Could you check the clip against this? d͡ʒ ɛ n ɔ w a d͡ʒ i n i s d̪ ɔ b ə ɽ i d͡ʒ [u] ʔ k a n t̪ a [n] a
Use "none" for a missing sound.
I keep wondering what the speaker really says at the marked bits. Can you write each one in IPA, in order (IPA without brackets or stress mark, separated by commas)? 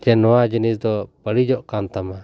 ɔ, m